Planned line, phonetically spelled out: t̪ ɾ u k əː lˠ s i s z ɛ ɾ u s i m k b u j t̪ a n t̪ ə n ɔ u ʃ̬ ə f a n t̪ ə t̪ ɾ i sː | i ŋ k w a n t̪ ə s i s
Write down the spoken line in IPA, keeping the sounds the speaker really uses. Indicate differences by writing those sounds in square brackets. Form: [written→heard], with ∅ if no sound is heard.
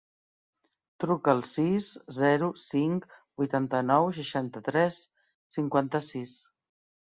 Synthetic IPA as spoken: t̪ ɾ u k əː lˠ s i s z ɛ ɾ u s i [m→ŋ] k b u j t̪ a n t̪ ə n ɔ [u→w] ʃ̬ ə [f→ʃ] a n t̪ ə t̪ ɾ [i→ɛ] sː | i ŋ k w a n t̪ ə s i s